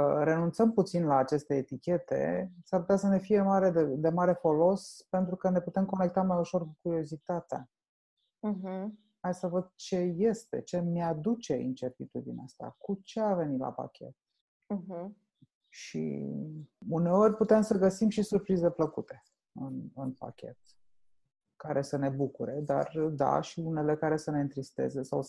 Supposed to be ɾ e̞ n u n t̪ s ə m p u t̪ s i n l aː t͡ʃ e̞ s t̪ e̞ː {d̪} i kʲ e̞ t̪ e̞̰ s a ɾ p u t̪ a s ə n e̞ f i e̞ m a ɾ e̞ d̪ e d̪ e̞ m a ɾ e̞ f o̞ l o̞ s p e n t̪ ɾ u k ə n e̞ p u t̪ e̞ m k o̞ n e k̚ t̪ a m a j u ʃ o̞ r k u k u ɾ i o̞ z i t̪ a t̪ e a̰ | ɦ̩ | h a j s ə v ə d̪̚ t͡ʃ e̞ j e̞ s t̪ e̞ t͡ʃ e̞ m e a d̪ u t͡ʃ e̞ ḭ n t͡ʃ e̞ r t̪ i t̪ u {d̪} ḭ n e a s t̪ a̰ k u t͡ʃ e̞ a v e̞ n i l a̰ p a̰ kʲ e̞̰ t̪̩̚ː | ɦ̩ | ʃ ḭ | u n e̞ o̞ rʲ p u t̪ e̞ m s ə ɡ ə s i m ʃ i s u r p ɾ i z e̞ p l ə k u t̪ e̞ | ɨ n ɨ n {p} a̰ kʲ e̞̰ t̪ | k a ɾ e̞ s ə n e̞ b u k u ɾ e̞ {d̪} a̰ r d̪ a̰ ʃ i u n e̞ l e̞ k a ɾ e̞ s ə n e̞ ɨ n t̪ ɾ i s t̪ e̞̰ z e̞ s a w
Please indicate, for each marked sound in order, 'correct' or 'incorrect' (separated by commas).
incorrect, correct, correct, correct